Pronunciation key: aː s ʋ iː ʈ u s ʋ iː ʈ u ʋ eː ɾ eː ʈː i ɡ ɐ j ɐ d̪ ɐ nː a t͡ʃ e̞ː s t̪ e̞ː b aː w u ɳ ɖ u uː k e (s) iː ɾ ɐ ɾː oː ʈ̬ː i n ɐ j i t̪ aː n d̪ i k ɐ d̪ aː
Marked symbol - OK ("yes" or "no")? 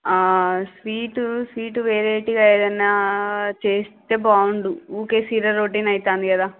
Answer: yes